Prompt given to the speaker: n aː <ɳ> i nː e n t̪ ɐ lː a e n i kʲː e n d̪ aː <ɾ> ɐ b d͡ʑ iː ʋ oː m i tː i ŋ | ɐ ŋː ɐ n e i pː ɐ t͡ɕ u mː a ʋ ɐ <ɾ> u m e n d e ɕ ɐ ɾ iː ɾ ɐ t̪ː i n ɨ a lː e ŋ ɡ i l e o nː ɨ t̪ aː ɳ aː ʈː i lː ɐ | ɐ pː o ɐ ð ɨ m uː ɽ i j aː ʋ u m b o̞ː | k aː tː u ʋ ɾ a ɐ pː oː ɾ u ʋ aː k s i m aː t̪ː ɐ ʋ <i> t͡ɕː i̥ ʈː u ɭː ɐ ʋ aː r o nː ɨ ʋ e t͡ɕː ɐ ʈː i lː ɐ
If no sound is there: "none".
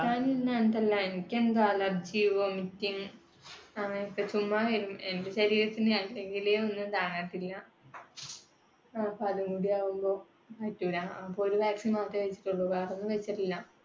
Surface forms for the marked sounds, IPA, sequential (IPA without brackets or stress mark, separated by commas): n, l, ɾ, e